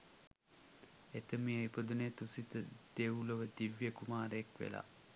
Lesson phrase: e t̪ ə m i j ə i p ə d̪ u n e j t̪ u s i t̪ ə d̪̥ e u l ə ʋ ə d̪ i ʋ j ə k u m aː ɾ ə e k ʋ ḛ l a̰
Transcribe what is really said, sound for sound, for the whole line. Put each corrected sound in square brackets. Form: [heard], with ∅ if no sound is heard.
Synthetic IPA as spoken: e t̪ ə m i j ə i p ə d̪ u n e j t̪ u s i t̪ ə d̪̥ e u l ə ʋ ə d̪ i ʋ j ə k u m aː ɾ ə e k ʋ ḛ l a̰

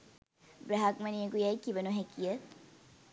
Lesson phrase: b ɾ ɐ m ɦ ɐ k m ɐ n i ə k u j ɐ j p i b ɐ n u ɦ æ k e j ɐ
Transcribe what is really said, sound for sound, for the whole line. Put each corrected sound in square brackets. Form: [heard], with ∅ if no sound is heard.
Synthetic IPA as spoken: b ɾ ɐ [∅] ɦ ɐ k m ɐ n i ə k u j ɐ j [k] i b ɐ n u ɦ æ k [i] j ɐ

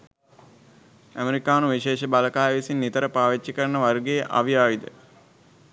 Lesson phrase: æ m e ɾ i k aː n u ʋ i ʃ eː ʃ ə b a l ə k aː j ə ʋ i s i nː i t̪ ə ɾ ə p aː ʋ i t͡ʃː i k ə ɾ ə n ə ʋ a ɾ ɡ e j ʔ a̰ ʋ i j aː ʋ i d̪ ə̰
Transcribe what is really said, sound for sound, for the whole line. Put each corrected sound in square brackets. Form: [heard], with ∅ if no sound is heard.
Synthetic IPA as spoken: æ m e ɾ i k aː n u ʋ i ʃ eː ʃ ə b a l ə k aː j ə ʋ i s i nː i t̪ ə ɾ ə p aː ʋ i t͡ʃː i k ə ɾ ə n ə ʋ a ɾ ɡ e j ʔ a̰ ʋ i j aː ʋ i d̪ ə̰

